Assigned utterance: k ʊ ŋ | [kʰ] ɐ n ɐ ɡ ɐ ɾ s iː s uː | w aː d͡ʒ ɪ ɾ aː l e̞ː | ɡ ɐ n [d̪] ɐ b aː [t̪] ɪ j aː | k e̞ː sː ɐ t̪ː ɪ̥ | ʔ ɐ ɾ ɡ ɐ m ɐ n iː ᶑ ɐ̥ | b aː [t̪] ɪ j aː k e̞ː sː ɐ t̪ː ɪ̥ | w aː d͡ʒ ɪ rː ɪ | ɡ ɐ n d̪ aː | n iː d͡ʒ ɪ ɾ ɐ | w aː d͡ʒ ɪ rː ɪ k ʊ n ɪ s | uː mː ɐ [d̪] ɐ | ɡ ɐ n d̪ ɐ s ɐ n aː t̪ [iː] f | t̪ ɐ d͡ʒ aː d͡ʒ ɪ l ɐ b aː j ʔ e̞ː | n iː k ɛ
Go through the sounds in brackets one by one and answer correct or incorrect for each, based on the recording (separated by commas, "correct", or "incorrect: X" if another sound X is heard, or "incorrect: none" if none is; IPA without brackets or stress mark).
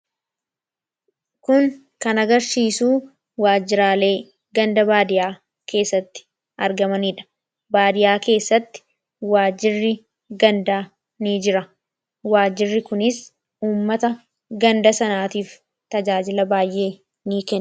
incorrect: k, correct, incorrect: d̪, incorrect: d̪, incorrect: t̪, correct